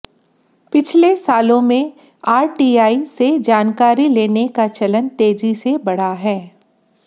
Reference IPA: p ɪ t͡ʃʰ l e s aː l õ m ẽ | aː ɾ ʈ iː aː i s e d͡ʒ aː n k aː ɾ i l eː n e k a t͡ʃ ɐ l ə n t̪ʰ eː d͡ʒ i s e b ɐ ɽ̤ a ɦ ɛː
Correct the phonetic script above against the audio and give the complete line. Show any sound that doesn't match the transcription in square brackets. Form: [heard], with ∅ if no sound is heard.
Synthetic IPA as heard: p ɪ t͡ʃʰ l e s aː l õ m ẽ | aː ɾ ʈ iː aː i s e d͡ʒ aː n k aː ɾ i l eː n e k a t͡ʃ ɐ l ə n [t̪] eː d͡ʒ i s e b ɐ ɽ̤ a ɦ ɛː